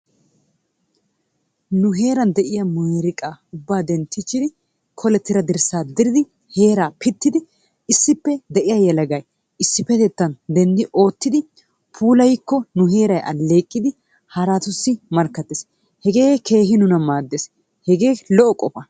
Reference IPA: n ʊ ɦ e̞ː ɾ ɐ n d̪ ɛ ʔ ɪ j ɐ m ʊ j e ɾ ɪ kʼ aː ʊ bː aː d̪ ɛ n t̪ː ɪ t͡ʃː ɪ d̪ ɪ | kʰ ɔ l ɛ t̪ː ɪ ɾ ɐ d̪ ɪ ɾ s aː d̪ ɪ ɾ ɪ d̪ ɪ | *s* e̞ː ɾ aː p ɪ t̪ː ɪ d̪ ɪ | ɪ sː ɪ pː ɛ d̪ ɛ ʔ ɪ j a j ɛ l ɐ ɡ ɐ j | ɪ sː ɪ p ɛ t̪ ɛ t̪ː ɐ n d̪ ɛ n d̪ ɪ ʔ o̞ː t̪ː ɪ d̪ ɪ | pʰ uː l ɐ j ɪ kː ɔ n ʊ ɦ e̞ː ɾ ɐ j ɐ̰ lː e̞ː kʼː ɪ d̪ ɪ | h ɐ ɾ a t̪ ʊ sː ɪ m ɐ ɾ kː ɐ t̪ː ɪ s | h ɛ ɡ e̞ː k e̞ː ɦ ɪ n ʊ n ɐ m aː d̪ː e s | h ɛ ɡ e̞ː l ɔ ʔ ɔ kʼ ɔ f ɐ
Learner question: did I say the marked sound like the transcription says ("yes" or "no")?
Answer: no